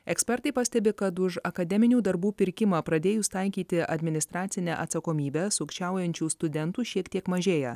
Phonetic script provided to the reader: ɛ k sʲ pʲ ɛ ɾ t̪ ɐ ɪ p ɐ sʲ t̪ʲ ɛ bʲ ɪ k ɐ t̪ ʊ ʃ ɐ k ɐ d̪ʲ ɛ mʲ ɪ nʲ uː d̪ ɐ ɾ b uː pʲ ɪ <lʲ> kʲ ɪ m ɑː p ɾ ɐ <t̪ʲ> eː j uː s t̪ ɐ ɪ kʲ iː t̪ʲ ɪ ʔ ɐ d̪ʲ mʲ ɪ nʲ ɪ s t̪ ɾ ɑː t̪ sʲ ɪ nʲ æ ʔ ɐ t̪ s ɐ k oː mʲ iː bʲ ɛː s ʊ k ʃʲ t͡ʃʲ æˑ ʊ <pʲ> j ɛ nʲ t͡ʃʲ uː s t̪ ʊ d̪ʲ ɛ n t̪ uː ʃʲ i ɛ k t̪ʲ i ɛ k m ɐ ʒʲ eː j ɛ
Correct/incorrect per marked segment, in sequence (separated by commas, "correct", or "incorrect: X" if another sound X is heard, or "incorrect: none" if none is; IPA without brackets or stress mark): incorrect: ɾʲ, incorrect: d̪ʲ, incorrect: none